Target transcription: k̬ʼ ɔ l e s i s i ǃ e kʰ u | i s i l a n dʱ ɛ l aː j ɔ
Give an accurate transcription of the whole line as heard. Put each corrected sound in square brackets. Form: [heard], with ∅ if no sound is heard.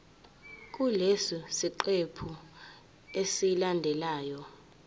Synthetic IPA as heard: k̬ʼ [u] l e s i s i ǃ e [pʰ] u | [e] s i l a n dʱ ɛ l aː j ɔ

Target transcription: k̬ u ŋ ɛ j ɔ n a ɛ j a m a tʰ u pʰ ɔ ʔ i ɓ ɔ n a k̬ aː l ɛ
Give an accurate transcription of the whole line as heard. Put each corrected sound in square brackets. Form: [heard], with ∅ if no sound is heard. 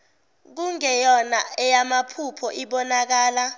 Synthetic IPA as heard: k̬ u ŋ ɛ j ɔ n a ɛ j a m a [pʰ] u pʰ ɔ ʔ i ɓ ɔ n a k̬ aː l [a]

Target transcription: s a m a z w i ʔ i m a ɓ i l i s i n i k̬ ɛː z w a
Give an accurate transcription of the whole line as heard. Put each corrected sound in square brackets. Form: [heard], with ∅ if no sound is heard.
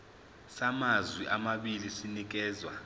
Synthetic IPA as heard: s a m a z w i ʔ [a] m a ɓ i l i s i n i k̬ ɛː z w a

